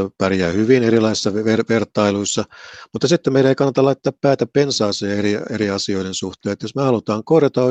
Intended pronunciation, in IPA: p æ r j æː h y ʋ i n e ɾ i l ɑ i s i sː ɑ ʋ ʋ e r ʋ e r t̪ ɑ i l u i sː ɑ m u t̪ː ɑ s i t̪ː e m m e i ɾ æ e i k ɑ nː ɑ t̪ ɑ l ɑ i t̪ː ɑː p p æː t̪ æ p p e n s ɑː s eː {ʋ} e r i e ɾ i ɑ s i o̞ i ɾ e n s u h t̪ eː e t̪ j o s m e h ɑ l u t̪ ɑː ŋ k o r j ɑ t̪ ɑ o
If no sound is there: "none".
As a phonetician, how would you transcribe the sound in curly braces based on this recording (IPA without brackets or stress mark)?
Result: none